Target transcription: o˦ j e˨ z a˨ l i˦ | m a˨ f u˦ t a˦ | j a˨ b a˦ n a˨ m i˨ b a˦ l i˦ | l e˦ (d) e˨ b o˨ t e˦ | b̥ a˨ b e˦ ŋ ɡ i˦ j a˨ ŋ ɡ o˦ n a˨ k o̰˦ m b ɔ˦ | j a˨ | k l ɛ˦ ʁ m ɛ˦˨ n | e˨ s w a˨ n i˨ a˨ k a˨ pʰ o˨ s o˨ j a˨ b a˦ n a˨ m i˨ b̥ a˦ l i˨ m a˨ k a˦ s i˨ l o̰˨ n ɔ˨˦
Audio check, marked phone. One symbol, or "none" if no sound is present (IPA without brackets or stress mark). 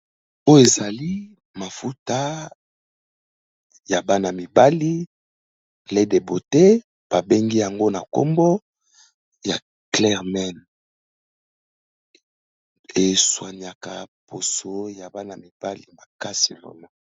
d